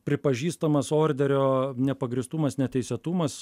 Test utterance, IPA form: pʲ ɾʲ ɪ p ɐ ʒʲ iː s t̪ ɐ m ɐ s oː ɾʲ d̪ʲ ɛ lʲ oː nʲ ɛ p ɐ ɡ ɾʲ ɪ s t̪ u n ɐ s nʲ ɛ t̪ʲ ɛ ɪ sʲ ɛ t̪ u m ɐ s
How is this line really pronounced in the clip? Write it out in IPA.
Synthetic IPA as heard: pʲ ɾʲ ɪ p ɐ ʒʲ iː s t̪ ɐ m ɐ s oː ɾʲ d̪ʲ ɛ ɾʲ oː nʲ ɛ p ɐ ɡ ɾʲ ɪ s t̪ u m ɐ s nʲ ɛ t̪ʲ ɛ ɪ sʲ ɛ t̪ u m ɐ s